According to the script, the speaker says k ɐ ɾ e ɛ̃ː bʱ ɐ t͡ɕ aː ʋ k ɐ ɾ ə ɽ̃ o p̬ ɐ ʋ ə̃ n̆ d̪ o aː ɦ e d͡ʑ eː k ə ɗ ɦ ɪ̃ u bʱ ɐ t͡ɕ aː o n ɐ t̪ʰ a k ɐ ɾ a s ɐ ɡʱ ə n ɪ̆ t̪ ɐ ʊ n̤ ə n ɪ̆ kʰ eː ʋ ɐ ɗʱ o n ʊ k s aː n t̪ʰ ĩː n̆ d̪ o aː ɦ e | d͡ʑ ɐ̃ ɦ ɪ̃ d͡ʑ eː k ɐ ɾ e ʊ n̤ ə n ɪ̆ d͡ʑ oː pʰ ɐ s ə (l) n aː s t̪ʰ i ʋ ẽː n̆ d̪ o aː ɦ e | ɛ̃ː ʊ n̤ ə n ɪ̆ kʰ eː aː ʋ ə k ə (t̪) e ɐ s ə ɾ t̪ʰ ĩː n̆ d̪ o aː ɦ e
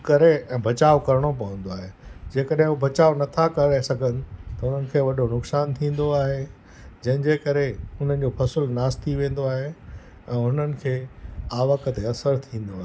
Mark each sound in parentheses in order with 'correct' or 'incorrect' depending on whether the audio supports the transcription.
correct, correct

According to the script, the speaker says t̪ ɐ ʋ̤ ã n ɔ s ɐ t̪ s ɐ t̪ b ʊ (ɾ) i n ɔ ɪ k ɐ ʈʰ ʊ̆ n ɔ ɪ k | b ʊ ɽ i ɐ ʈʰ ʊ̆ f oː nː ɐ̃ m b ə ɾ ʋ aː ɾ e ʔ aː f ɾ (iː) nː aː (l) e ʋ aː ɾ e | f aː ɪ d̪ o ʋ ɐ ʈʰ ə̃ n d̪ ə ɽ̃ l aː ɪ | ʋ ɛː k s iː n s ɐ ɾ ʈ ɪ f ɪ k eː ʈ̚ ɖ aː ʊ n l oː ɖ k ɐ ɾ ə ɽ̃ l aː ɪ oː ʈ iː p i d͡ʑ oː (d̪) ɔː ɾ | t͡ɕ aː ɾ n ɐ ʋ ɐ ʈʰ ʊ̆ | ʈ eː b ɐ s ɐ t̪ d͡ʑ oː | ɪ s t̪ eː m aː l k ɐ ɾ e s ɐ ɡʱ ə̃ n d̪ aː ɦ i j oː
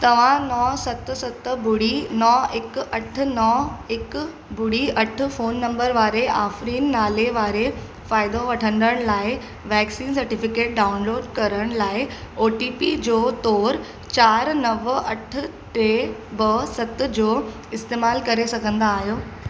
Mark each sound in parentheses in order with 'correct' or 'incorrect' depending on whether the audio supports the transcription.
incorrect: ɽ, correct, correct, incorrect: t̪

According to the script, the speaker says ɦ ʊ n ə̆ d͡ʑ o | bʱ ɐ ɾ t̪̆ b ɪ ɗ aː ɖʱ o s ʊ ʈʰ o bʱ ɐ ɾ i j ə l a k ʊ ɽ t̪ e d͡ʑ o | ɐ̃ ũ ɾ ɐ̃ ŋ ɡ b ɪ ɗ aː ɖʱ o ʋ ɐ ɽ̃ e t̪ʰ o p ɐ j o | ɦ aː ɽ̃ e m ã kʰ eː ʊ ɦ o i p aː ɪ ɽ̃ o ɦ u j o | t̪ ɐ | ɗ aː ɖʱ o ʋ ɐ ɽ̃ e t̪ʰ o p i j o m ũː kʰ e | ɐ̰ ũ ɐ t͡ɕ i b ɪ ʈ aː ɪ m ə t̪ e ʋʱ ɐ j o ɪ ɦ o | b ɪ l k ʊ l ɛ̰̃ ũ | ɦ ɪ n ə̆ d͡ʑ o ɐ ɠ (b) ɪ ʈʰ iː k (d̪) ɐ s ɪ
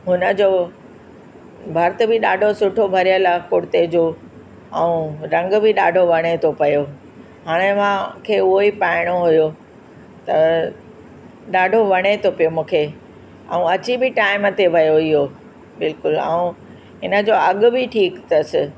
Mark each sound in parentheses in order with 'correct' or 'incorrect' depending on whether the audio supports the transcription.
correct, incorrect: t̪

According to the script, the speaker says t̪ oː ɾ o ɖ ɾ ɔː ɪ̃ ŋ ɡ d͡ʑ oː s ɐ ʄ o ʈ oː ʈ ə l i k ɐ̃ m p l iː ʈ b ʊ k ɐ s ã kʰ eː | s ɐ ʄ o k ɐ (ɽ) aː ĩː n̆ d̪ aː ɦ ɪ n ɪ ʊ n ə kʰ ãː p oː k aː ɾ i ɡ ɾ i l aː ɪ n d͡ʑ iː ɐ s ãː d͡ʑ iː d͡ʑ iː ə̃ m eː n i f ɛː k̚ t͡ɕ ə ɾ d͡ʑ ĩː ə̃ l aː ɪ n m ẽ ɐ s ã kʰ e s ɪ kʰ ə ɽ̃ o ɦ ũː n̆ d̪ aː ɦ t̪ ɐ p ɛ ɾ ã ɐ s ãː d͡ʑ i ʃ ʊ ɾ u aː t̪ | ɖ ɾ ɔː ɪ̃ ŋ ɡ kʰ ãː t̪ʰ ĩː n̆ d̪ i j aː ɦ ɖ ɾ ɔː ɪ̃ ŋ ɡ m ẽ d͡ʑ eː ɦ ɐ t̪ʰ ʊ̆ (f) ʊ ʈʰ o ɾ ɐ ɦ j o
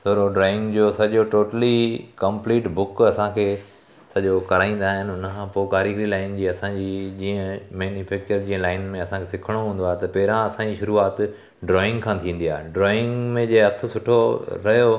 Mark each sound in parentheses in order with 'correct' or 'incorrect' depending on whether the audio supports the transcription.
incorrect: ɾ, incorrect: s

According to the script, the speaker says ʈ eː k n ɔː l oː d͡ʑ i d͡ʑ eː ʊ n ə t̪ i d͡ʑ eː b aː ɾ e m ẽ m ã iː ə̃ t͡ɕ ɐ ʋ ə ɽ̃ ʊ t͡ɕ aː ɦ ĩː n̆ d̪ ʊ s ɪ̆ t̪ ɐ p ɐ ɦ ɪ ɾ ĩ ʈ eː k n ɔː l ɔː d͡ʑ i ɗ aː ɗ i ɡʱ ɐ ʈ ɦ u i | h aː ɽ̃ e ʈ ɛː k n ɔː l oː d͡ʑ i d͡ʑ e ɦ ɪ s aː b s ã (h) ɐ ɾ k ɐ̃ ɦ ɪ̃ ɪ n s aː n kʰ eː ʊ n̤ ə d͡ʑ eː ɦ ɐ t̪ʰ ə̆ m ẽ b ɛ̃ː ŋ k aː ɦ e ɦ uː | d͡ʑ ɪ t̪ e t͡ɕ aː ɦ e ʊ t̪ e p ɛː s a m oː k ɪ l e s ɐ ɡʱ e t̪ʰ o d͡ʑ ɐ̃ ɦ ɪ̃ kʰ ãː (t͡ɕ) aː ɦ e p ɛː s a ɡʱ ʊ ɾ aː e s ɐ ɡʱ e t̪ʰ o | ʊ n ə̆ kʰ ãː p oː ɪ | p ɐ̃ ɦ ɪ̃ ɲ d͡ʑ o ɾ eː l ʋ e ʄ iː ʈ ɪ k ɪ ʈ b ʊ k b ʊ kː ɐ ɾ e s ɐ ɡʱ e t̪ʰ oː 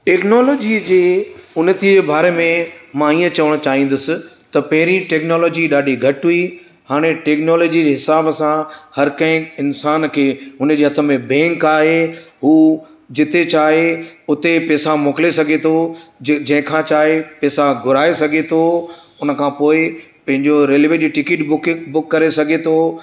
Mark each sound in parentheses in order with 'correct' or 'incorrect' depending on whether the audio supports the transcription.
correct, correct

